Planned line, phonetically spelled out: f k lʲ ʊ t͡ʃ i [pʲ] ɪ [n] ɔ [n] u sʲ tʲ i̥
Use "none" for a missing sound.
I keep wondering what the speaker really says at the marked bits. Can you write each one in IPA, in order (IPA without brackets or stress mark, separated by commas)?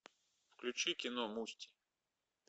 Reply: kʲ, n, m